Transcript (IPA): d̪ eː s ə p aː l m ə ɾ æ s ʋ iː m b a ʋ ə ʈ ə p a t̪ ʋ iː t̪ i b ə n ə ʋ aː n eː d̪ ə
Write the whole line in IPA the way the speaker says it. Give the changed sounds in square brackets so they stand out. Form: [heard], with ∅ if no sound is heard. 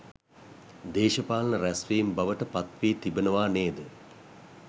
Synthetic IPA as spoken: d̪ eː [ʃ] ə p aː l [n] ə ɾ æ s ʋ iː m b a ʋ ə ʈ ə p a t̪ ʋ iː t̪ i b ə n ə ʋ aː n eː d̪ ə